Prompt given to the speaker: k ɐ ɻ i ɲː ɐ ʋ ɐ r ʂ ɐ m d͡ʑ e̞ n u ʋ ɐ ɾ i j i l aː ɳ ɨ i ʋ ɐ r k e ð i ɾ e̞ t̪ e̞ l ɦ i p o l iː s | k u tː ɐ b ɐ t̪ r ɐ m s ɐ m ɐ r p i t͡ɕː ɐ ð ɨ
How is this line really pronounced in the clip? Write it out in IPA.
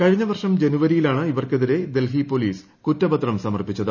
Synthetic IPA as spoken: k ɐ ɻ i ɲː ɐ ʋ ɐ r ʂ ɐ m d͡ʑ e̞ n u ʋ ɐ ɾ i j i l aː ɳ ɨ i ʋ ɐ r k e ð i ɾ e̞ d̪ e̞ l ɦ i p o l iː s | k u tː ɐ b ɐ t̪ r ɐ m s ɐ m ɐ r p i t͡ɕː ɐ ð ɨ